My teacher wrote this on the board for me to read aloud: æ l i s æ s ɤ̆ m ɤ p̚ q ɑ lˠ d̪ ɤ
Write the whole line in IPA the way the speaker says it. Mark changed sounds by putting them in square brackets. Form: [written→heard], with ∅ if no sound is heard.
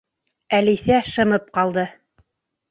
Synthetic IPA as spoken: æ l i s æ [s→ʃ] ɤ̆ m ɤ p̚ q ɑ lˠ d̪ ɤ